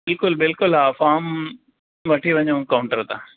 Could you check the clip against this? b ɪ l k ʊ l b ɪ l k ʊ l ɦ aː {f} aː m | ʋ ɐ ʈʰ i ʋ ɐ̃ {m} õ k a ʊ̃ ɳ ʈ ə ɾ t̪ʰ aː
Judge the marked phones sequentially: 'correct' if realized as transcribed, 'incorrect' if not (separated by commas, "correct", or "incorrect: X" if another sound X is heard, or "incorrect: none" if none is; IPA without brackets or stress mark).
correct, incorrect: ɲ